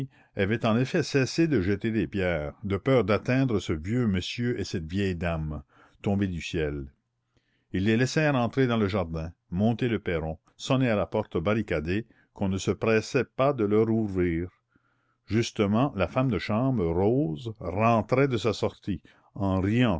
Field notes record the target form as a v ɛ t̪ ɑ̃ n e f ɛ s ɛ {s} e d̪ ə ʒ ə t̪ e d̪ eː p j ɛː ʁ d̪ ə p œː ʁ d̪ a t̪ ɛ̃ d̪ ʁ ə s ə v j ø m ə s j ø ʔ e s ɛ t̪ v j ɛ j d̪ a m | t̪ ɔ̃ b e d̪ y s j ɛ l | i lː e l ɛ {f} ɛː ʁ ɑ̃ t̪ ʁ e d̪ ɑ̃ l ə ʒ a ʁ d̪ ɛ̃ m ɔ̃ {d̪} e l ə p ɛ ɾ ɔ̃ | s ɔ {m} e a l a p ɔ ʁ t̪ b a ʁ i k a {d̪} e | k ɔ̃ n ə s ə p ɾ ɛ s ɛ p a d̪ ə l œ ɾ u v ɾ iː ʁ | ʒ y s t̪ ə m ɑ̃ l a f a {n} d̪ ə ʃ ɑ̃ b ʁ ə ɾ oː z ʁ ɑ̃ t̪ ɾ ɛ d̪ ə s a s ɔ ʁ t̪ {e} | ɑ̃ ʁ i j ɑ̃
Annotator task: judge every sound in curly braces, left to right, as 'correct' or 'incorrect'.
correct, incorrect: s, incorrect: t̪, incorrect: n, correct, incorrect: m, incorrect: i

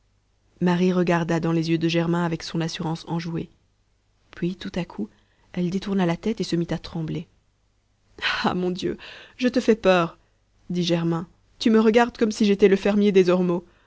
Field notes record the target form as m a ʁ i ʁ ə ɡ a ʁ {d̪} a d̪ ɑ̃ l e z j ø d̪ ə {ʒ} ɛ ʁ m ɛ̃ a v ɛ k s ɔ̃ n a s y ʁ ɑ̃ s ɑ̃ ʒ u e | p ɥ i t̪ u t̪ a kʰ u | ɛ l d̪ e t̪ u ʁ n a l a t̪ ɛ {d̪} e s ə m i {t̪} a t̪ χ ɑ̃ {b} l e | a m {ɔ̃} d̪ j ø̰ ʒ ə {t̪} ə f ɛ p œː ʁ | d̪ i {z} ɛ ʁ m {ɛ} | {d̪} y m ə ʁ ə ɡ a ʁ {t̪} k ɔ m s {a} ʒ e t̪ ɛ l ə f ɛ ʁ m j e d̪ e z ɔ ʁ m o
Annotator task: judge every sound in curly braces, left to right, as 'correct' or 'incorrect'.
correct, correct, incorrect: t̪, correct, correct, correct, correct, incorrect: ʒ, incorrect: ɛ̃, incorrect: t̪, incorrect: d̪, incorrect: i

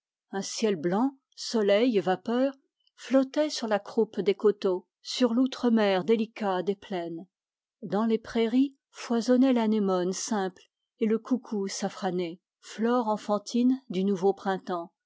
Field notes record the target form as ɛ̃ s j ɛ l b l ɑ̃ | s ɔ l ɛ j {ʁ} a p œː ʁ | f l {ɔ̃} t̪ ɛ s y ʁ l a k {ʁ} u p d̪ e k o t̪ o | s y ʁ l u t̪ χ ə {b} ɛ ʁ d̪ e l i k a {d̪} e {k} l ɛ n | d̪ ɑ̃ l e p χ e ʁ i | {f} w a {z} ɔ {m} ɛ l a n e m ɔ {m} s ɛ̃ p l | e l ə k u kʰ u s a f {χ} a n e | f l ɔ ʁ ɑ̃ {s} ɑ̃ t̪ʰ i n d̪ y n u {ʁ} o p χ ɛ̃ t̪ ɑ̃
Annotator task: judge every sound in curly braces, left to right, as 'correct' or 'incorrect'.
incorrect: v, incorrect: ɔ, incorrect: χ, incorrect: m, correct, incorrect: p, correct, correct, incorrect: n, incorrect: n, correct, incorrect: f, incorrect: v

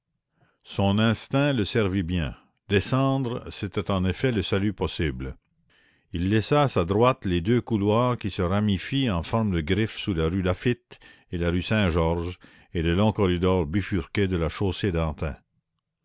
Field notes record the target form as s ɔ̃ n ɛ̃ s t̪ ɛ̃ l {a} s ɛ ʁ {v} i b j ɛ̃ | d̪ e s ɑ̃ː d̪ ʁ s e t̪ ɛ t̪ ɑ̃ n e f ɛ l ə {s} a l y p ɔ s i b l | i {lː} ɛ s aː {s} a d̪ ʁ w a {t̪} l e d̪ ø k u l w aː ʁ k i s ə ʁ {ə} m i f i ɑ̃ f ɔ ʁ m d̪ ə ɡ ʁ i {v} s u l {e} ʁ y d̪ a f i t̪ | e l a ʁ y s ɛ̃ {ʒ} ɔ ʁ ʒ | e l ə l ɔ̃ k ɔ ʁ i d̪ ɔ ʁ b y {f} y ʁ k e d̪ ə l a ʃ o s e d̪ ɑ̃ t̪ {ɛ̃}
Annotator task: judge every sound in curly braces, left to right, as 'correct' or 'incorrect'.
incorrect: ə, correct, correct, correct, correct, correct, incorrect: a, incorrect: f, incorrect: a, correct, correct, correct

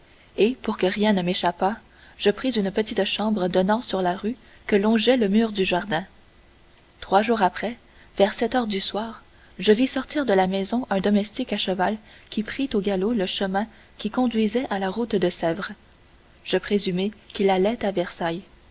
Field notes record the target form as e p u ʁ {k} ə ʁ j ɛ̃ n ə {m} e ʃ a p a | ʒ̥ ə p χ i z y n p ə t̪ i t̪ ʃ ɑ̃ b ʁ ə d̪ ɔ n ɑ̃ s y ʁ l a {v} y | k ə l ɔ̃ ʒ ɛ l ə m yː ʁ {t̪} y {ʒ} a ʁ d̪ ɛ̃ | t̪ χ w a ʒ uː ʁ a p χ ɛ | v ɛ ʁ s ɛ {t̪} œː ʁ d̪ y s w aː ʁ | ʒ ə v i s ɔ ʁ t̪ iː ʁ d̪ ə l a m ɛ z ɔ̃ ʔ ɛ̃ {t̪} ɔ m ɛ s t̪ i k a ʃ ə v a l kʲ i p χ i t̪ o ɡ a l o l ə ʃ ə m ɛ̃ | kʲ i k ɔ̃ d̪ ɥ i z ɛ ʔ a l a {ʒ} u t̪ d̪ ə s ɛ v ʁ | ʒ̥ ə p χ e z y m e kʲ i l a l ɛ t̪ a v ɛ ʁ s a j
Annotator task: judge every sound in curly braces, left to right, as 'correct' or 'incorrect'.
correct, correct, incorrect: ʁ, incorrect: d̪, correct, correct, incorrect: d̪, incorrect: ʁ

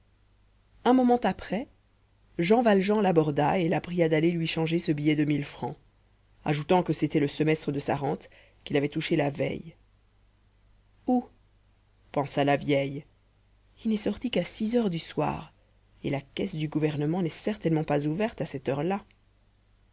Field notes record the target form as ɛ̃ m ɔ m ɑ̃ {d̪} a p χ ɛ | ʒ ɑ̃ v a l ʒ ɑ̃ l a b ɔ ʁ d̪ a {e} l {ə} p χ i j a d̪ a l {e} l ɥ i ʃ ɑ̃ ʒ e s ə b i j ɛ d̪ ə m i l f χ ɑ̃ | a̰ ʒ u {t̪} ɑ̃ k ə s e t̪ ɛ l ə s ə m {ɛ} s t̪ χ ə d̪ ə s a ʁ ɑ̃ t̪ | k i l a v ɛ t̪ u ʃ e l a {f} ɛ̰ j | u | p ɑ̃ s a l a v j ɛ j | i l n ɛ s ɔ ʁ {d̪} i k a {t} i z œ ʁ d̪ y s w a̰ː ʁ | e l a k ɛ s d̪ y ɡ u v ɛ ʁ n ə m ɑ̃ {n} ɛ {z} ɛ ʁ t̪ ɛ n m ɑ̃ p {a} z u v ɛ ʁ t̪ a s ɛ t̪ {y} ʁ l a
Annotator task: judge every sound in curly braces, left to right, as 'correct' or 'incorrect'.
incorrect: t̪, correct, incorrect: a, correct, correct, correct, incorrect: v, incorrect: t̪, incorrect: s, correct, incorrect: s, correct, incorrect: œ

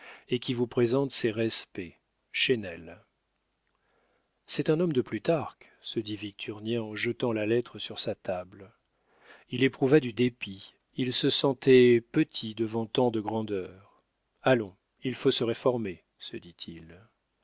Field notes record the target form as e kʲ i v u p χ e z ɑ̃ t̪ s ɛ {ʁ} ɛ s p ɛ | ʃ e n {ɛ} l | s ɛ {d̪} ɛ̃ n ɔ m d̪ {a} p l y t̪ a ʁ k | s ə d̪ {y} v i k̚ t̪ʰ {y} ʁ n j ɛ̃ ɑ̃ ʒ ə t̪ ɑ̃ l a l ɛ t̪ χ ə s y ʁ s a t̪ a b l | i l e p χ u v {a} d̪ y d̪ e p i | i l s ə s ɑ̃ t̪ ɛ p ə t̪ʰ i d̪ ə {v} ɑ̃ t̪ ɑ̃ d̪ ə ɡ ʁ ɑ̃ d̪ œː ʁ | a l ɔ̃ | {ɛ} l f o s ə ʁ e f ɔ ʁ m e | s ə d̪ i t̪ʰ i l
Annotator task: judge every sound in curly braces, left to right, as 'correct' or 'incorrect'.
correct, correct, incorrect: t̪, incorrect: ə, incorrect: i, correct, correct, correct, incorrect: i

